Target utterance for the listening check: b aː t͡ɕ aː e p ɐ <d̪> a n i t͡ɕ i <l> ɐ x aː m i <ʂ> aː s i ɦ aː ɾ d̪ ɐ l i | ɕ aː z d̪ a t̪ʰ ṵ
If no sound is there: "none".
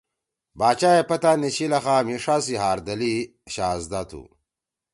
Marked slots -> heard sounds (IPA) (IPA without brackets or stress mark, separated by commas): t̪, l, ʂ